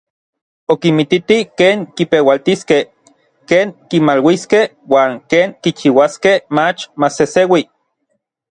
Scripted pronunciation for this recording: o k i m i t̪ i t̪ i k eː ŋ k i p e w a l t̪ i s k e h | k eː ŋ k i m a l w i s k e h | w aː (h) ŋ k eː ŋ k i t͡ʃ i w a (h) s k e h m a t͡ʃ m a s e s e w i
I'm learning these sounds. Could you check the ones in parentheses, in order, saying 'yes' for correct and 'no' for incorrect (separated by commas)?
no, no